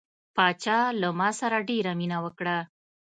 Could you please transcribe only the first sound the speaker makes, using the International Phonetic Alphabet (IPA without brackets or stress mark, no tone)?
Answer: p